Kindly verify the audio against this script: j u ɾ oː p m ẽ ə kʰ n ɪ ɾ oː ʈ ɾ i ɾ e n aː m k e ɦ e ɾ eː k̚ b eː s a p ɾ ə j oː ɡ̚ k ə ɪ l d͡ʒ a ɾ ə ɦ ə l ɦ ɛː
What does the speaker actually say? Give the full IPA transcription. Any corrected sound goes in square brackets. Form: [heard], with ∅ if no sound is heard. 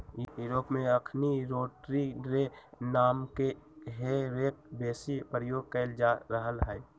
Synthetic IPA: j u ɾ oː p m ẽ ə kʰ n [i] ɾ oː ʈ ɾ i ɾ e n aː m k e ɦ e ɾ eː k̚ b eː s [i] p ɾ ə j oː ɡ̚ k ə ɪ l d͡ʒ a ɾ ə ɦ ə l ɦ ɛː